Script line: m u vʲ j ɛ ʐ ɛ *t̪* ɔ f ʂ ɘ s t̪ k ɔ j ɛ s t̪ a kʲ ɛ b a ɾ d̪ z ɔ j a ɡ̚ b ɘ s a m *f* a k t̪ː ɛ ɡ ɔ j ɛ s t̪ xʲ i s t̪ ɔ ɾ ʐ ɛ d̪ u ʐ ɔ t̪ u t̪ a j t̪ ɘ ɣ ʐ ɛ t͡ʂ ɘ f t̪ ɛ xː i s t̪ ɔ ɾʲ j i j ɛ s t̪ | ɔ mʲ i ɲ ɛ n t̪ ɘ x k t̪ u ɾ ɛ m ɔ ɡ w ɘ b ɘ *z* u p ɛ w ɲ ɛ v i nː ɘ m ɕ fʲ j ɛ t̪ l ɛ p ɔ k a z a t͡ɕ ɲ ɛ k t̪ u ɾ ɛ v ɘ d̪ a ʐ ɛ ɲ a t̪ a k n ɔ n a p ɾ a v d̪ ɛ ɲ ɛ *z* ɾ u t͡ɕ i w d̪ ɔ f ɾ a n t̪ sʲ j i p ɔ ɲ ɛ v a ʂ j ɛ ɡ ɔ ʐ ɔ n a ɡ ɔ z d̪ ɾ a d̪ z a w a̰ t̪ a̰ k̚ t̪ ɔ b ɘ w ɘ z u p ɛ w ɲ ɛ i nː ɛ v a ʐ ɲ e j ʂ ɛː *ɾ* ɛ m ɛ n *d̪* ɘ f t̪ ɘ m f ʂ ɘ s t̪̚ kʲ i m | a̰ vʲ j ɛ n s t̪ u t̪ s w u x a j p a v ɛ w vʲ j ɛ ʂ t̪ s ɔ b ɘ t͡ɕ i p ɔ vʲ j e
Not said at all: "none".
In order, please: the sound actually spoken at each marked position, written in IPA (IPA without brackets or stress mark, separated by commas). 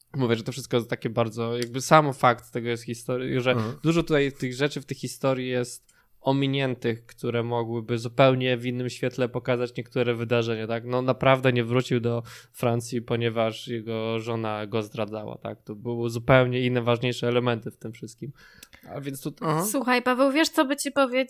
t̪, f, z, v, l, t̪